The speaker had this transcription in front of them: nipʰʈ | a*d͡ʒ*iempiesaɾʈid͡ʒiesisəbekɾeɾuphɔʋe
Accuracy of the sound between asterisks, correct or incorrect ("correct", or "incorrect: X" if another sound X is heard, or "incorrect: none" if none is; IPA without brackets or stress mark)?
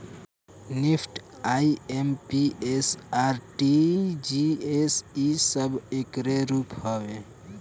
incorrect: none